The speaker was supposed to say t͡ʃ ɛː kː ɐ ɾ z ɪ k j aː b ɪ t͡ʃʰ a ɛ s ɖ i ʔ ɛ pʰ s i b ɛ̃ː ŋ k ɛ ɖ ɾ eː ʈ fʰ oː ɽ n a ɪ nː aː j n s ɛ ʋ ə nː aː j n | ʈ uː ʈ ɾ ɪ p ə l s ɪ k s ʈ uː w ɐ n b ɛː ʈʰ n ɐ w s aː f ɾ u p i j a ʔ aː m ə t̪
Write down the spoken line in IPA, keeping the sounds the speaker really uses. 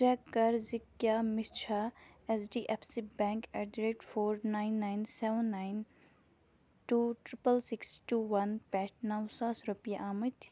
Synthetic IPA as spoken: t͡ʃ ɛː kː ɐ ɾ z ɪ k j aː m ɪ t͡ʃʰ a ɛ s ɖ i ʔ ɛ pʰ s i b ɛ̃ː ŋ k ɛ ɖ ɾ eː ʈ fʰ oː ɾ n a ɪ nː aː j n s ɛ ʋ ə nː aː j n | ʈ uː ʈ ɾ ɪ p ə l s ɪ k s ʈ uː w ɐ n p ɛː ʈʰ n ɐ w s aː s ɾ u p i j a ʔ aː m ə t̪